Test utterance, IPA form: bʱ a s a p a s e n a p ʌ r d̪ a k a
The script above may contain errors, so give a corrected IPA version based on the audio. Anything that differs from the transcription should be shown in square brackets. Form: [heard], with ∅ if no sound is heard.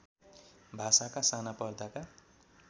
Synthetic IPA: bʱ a s a [k] a s [a] n a p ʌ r d̪ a k a

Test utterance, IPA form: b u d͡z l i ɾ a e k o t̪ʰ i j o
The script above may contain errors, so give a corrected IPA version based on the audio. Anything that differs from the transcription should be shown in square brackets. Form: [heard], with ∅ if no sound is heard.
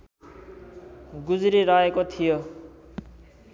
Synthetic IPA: [ɡ] u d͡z [ɾ] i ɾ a e k o t̪ʰ i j o

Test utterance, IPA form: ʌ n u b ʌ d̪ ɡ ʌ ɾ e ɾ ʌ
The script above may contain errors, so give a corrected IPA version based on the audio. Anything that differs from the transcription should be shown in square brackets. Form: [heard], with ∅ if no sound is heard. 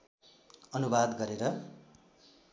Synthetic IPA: ʌ n u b [a] d̪ ɡ ʌ ɾ e ɾ ʌ

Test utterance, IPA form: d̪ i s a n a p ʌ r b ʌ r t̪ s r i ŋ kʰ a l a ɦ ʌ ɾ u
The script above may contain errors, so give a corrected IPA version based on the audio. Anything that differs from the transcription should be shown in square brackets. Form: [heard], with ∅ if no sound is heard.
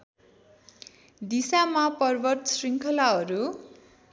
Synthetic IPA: d̪ i s a [m] a p ʌ r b ʌ r t̪ s r i ŋ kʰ [ʌ] l a ɦ ʌ ɾ u

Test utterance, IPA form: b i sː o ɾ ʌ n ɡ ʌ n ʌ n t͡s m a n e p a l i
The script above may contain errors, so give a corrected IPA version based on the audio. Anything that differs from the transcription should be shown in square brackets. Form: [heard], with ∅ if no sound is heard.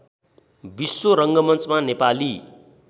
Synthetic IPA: b i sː o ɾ ʌ [ŋ] ɡ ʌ [m] ʌ n t͡s m a n e p a l i

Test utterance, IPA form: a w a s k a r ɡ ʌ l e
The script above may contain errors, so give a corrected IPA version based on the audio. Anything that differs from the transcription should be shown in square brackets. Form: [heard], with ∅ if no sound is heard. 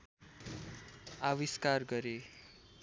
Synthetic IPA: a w [i] s k a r ɡ ʌ [ɾ] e

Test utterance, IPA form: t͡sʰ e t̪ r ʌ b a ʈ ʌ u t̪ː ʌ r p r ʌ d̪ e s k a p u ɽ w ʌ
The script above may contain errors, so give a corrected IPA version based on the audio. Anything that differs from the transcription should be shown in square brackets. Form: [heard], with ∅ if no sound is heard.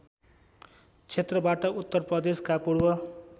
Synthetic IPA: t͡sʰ e t̪ r ʌ b a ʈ ʌ u t̪ː ʌ r p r ʌ d̪ e s k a p u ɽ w ʌ

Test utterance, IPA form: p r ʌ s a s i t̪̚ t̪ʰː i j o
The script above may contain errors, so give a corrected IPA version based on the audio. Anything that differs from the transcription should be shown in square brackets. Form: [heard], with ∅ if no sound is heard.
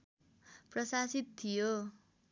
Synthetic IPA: p r ʌ s a s i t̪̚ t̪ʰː i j o

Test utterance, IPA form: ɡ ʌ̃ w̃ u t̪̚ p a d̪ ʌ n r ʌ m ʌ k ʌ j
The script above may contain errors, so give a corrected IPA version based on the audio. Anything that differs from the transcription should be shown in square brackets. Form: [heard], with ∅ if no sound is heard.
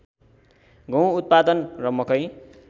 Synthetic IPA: ɡ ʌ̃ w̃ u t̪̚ p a d̪ ʌ n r ʌ m ʌ k ʌ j

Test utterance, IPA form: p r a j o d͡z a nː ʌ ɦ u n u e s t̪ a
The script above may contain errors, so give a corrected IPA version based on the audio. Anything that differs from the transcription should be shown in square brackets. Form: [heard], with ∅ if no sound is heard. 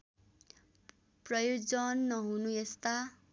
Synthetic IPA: p r [ʌ] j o d͡z [ʌ] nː ʌ ɦ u n u e s t̪ a

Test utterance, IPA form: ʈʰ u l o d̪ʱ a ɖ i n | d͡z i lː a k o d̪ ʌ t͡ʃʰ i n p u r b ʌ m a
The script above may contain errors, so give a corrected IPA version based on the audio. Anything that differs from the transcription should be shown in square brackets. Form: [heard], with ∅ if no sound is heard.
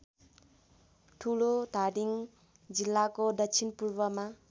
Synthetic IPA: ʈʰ u l o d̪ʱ a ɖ i [ŋ] | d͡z i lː a k o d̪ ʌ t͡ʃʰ i n p u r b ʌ m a

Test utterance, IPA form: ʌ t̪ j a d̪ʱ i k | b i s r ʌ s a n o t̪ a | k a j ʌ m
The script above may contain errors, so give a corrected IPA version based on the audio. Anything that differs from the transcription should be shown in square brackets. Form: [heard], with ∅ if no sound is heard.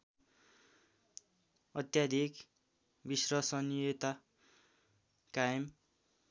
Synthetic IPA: ʌ t̪ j a d̪ʱ i k | b i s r ʌ s [ʌ] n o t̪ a | k a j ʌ m

